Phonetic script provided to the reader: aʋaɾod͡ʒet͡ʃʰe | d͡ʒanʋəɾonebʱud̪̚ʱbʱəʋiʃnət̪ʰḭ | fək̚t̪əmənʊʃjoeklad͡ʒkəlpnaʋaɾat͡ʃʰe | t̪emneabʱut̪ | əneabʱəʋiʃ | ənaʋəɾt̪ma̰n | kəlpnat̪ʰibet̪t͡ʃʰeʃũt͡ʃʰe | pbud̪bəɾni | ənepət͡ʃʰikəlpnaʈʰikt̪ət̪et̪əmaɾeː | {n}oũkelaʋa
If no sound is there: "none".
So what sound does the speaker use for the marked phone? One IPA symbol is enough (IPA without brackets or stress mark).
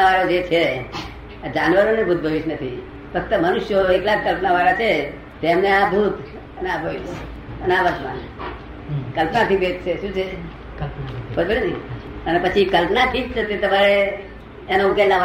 n